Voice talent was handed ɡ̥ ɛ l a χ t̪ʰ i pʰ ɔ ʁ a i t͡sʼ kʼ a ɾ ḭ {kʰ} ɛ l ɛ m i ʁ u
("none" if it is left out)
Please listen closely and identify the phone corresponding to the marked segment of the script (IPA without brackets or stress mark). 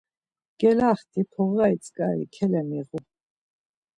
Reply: kʰ